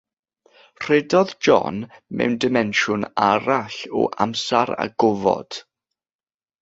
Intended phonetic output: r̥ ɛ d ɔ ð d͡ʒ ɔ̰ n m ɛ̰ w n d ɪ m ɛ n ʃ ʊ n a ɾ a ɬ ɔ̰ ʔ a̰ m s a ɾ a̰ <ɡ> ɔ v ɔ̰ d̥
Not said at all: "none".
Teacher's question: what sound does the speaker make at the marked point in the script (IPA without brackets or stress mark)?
ɡ